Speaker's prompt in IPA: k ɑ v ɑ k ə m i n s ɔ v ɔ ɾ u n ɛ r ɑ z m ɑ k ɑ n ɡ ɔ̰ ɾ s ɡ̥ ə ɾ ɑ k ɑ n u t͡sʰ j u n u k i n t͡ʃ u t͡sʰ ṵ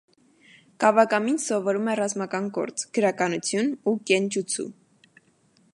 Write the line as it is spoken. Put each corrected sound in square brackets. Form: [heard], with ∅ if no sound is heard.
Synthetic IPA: k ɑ v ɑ k [ɑ] m i n s ɔ v ɔ ɾ u [m] ɛ r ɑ z m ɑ k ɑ n ɡ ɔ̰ ɾ [t͡s] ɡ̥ ə ɾ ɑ k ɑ n u t͡sʰ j u n u k [ɛ] n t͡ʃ u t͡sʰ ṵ